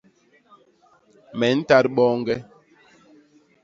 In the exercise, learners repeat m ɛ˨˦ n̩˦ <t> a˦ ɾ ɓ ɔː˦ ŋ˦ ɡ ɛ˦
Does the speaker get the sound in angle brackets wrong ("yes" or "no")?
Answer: no